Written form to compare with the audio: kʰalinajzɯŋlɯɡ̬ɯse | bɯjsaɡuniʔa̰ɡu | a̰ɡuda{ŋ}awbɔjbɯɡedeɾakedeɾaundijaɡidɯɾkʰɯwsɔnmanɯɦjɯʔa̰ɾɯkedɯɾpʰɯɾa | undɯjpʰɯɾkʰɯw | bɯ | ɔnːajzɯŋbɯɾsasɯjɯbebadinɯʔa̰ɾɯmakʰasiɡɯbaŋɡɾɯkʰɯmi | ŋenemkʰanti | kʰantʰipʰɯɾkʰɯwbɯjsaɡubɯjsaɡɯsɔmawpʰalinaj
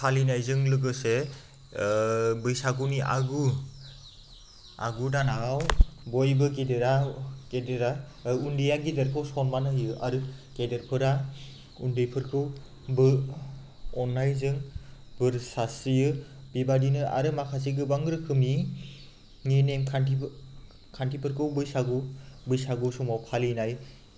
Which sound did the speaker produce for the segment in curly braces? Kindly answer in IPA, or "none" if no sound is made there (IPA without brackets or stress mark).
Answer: n